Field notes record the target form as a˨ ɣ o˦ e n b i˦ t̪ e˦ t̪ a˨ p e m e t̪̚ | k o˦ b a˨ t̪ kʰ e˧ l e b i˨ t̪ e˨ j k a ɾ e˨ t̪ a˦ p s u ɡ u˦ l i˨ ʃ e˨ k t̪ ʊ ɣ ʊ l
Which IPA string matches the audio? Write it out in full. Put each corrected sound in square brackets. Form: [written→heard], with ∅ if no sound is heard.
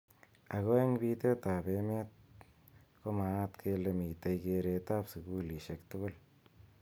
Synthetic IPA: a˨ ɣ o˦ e [n→ŋ] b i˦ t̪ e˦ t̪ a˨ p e m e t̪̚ | k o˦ [b→m] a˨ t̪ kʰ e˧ l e [b→m] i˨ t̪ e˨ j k [a→e] ɾ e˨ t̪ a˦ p s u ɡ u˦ l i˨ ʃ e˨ k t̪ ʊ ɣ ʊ l